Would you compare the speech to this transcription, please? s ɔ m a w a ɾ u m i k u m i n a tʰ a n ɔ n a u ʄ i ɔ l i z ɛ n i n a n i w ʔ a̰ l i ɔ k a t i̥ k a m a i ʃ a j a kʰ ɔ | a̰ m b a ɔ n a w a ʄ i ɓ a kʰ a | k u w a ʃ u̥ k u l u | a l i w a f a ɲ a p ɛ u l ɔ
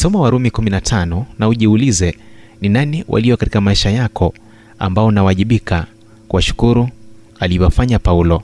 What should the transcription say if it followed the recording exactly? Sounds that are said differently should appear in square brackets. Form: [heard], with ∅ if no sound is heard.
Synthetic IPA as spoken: s ɔ m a w a ɾ u m i k u m i n a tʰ a n ɔ n a u ʄ i [u] l i z ɛ n i n a n i w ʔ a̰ l i ɔ k a t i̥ k a m a i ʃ a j a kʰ ɔ | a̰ m b a ɔ n a w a ʄ i ɓ [i] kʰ a | k u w a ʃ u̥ k u [ɾ] u | a l i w a f a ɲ a p [a] u l ɔ